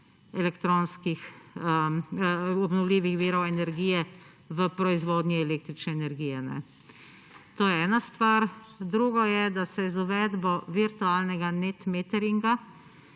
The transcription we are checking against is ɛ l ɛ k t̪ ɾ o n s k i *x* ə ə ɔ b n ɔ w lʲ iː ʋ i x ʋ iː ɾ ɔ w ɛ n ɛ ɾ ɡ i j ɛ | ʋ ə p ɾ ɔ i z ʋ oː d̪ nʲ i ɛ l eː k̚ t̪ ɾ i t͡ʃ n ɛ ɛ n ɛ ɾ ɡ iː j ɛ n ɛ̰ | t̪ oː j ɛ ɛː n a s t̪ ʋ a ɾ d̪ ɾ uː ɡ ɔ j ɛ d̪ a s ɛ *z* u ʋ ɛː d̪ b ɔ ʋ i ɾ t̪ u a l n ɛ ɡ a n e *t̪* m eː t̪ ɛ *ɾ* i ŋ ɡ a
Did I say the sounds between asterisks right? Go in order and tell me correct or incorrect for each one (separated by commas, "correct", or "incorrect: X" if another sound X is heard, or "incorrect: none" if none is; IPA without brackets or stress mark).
correct, correct, correct, correct